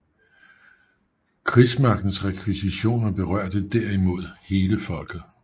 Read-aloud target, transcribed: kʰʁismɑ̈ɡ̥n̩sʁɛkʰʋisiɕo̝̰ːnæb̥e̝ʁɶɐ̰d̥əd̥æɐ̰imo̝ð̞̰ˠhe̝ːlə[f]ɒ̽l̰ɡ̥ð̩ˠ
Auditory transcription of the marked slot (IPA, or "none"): f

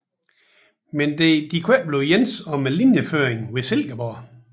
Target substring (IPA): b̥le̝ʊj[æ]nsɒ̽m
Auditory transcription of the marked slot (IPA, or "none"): e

